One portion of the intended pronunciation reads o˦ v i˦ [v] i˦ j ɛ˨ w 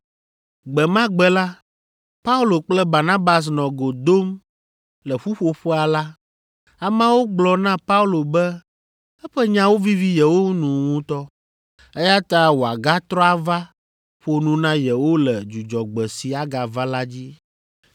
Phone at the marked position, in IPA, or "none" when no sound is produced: v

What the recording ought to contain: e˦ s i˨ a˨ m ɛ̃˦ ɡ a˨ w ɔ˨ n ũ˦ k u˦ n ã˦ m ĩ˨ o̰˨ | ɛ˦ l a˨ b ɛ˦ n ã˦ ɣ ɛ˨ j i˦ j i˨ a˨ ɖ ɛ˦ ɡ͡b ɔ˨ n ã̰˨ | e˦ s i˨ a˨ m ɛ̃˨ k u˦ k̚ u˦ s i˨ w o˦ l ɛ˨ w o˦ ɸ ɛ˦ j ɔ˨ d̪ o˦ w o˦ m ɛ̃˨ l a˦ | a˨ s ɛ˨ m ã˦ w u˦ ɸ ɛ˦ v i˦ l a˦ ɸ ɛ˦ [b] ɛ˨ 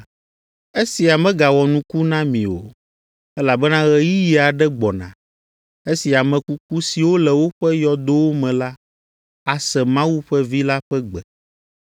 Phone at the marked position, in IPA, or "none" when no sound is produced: ɡ͡b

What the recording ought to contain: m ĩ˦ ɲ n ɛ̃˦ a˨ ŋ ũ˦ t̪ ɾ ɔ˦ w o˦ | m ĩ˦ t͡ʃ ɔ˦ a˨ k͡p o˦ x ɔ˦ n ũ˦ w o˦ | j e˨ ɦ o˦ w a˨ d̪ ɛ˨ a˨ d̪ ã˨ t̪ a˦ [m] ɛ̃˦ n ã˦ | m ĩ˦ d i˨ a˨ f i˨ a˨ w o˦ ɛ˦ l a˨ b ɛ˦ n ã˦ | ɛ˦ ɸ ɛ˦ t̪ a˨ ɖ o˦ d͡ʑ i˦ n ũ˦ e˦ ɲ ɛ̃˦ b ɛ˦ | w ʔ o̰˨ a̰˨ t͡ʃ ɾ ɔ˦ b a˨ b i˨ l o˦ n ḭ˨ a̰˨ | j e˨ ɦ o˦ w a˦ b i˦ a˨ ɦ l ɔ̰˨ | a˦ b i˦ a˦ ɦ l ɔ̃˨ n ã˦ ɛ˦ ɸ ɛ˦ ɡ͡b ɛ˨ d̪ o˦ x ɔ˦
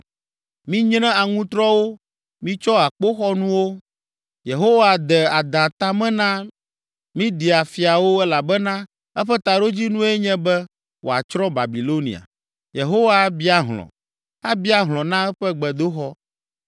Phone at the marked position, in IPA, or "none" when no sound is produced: m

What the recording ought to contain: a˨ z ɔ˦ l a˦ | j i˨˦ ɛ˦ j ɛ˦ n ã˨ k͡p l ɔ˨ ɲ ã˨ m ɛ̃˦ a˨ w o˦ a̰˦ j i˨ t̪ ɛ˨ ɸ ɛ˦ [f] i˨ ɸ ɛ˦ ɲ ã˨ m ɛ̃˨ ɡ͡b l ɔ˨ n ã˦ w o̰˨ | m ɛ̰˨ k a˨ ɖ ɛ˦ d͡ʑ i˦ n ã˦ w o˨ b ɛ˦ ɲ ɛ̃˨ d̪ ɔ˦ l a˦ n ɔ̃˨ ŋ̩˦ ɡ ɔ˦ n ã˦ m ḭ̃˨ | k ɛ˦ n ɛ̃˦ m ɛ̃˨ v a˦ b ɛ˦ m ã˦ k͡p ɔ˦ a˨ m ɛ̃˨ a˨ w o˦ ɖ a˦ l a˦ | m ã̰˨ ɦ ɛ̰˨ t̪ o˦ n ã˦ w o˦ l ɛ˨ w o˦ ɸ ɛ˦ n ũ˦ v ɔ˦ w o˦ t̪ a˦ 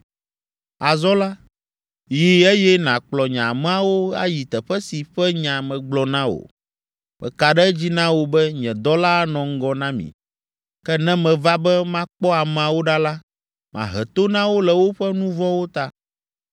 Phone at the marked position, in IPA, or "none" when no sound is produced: s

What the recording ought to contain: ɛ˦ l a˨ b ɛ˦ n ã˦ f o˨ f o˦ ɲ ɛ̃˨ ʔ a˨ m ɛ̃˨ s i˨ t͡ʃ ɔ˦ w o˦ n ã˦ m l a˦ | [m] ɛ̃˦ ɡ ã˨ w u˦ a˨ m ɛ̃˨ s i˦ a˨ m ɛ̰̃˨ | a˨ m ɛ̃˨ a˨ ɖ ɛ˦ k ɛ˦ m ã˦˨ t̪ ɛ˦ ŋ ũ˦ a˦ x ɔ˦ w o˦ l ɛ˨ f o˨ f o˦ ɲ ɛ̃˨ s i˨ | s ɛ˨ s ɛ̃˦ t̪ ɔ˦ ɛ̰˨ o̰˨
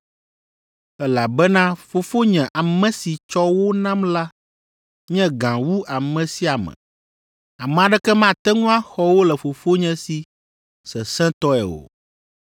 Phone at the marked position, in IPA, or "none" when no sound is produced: ɲ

